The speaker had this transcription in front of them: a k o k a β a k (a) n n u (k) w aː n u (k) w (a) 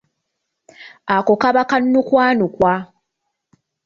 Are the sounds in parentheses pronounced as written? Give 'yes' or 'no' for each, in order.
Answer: yes, yes, yes, yes

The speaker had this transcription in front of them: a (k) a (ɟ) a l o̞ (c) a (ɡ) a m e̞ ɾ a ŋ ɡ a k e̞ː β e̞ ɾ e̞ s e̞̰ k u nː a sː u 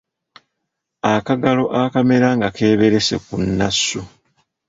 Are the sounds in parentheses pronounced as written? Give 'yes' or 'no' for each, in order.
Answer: yes, no, no, no

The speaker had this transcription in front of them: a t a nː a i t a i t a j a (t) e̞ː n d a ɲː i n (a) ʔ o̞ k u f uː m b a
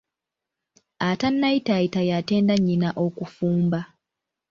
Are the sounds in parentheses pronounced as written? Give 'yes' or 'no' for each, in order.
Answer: yes, yes

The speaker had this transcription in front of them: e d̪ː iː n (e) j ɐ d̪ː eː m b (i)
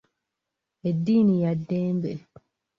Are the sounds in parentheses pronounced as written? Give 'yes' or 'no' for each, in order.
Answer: no, no

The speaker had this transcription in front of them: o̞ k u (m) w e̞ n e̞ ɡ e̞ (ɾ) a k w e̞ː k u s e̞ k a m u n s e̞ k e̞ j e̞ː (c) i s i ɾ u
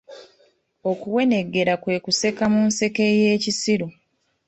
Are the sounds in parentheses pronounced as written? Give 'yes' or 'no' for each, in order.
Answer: no, yes, yes

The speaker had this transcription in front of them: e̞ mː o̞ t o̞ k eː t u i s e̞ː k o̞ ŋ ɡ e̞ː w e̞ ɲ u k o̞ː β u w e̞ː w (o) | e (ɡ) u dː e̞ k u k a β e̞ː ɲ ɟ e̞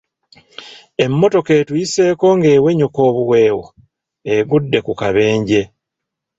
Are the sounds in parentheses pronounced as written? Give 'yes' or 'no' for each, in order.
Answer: yes, yes

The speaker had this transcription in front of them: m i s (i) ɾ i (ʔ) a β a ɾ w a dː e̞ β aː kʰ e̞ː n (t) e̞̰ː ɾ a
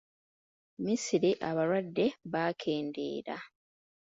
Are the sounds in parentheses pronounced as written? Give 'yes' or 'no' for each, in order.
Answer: yes, yes, no

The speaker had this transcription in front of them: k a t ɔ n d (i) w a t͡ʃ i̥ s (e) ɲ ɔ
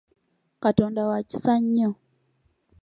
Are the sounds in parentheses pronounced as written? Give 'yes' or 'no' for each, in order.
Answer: no, no

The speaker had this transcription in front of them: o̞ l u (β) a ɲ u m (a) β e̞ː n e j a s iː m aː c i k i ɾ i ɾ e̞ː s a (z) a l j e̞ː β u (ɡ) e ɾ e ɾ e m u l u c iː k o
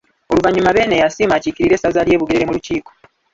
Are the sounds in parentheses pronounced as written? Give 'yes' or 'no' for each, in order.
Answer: no, yes, yes, yes

